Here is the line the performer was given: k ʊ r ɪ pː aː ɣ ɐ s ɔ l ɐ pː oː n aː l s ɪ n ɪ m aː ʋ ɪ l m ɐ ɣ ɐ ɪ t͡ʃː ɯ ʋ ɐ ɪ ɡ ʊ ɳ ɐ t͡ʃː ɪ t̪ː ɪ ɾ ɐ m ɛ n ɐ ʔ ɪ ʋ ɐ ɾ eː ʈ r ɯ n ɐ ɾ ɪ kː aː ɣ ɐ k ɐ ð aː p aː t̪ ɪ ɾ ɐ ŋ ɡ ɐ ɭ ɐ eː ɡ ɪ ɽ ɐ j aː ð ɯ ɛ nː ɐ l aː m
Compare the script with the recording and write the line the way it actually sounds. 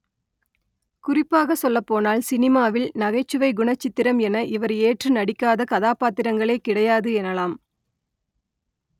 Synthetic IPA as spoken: k ʊ r ɪ pː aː ɣ ɐ s ɔ lː ɐ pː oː n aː l s ɪ n ɪ m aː ʋ ɪ l n ɐ ɣ ɐ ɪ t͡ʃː ɯ ʋ ɐ ɪ ɡ ʊ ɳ ɐ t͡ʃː ɪ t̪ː ɪ ɾ ɐ m ɛ n ɐ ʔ ɪ ʋ ɐ ɾ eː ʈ r ɯ n ɐ ɽ ɪ kː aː ð ɐ k ɐ ð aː p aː t̪ ɪ ɾ ɐ ŋ ɡ ɐ ɭ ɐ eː k ɪ ɽ ɐ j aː ð ɯ ɛ n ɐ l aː m

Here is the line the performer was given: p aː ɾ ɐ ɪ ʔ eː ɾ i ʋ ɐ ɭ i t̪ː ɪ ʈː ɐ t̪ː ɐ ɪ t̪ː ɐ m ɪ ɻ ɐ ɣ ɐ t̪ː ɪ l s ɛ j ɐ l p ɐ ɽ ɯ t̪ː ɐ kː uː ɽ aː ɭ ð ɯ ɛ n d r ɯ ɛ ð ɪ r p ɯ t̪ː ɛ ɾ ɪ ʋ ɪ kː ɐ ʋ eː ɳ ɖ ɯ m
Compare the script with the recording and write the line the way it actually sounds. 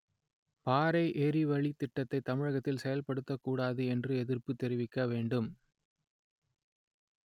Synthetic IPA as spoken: p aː ɾ ɐ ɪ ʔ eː ɾ i ʋ ɐ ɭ i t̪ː ɪ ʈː ɐ t̪ː ɐ ɪ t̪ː ɐ m ɪ ɻ ɐ ɣ ɐ t̪ː ɪ l s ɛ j ɐ l p ɐ ɽ ɯ t̪ː ɐ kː uː ɽ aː ð ɯ ɛ n d r ɯ ɛ ð ɪ r p ɯ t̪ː ɛ ɾ ɪ ʋ ɪ kː ɐ ʋ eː ɳ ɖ ɯ m

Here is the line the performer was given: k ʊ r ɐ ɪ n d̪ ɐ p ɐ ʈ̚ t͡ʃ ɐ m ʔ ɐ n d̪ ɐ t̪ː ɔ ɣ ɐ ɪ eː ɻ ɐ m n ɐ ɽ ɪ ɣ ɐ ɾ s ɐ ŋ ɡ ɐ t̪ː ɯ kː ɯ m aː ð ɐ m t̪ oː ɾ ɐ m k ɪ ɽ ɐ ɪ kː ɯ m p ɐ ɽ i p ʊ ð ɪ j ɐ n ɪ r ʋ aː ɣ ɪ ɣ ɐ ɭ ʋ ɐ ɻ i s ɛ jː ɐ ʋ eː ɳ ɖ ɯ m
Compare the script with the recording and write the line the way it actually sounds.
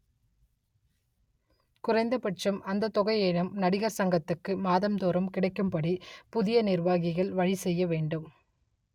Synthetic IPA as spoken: k ʊ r ɐ ɪ n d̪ ɐ p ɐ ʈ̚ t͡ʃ ɐ m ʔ ɐ n d̪ ɐ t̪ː ɔ ɣ ɐ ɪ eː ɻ ɐ m n ɐ ɽ ɪ ɣ ɐ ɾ s ɐ ŋ ɡ ɐ t̪ː ɯ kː ɯ m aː ð ɐ m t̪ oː ɾ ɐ m k ɪ ɽ ɐ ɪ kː ɯ m p ɐ ɽ i p ʊ ð ɪ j ɐ n ɪ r ʋ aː ɣ ɪ ɣ ɐ ɭ ʋ ɐ ɻ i s ɛ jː ɐ ʋ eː ɳ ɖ ɯ m

